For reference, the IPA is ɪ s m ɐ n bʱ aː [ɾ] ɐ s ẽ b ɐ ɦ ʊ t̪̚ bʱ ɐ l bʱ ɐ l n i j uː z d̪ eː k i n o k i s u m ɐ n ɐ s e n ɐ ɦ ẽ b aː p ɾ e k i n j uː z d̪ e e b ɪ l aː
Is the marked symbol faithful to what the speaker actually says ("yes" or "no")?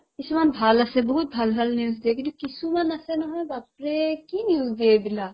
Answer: no